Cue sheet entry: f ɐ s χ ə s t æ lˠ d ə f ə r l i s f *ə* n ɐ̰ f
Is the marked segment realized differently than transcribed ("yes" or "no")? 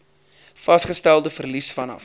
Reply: yes